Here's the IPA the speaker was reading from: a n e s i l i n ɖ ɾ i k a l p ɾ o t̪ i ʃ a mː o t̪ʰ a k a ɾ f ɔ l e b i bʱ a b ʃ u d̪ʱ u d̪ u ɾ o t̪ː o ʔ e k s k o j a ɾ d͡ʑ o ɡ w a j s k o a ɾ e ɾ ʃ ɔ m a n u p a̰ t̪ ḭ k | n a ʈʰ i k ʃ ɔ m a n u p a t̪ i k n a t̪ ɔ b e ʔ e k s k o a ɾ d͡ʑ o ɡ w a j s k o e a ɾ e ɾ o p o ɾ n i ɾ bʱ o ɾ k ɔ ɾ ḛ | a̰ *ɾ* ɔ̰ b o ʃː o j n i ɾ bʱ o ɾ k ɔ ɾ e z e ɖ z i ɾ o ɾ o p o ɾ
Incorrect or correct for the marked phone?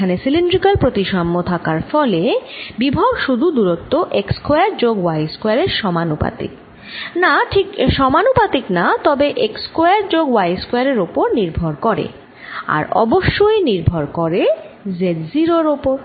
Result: correct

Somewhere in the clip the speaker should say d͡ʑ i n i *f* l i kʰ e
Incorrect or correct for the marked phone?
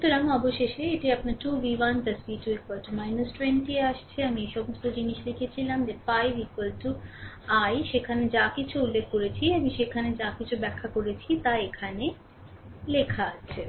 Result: incorrect: ʃ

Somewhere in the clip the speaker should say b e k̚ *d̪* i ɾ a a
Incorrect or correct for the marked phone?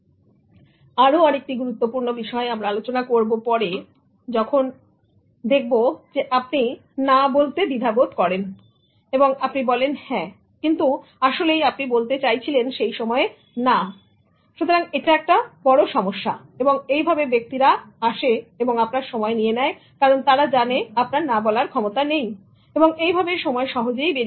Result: incorrect: t̪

